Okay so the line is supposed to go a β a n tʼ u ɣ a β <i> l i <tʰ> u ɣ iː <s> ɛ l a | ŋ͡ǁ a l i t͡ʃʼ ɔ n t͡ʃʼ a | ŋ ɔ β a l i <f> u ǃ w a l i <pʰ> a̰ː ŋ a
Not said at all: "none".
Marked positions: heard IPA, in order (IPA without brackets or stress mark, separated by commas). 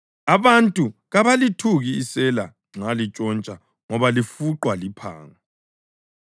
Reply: a, tʰ, s, f, pʰ